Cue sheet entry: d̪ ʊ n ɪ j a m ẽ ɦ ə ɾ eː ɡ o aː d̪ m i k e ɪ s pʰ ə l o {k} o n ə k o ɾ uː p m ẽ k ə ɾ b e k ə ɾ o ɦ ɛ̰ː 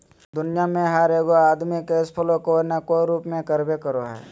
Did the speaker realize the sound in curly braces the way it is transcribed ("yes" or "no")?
yes